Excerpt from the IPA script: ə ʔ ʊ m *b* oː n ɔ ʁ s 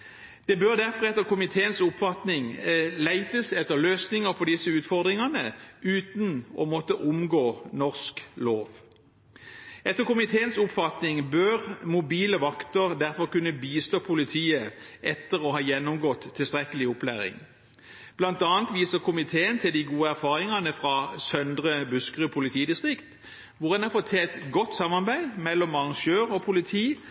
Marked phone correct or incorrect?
incorrect